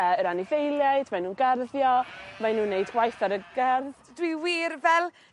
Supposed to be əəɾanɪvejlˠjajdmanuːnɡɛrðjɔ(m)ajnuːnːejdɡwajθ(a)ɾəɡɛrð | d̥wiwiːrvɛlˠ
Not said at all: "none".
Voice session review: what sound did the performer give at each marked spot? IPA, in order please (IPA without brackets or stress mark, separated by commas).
m, a